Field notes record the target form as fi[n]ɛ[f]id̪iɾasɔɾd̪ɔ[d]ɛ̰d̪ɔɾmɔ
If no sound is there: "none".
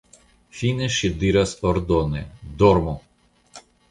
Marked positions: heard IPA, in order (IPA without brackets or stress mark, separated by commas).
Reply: n, ʃ, n